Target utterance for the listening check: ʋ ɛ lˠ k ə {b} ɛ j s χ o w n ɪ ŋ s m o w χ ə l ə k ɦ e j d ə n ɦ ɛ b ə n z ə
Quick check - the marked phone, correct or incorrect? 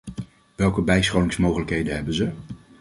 correct